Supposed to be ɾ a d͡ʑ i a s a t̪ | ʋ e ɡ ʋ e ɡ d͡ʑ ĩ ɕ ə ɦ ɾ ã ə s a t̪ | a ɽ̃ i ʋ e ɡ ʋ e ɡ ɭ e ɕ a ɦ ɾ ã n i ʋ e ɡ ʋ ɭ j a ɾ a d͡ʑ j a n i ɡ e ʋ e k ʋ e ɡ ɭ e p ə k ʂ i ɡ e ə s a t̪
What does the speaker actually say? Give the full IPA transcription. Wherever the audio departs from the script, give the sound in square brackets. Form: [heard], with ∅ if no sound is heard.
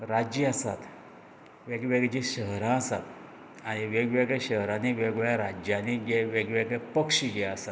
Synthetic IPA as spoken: ɾ a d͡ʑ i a s a t̪ | ʋ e ɡ ʋ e ɡ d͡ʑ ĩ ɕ ə ɦ ɾ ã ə s a t̪ | a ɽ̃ i ʋ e ɡ ʋ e ɡ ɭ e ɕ [ə] ɦ ɾ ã n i ʋ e ɡ ʋ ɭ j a ɾ a d͡ʑ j a n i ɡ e ʋ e [ɡ] ʋ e ɡ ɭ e p ə k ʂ i ɡ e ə s a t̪